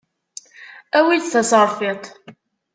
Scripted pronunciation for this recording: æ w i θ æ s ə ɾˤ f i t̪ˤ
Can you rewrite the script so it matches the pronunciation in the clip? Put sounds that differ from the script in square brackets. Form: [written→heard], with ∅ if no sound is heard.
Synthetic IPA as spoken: æ w i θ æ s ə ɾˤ f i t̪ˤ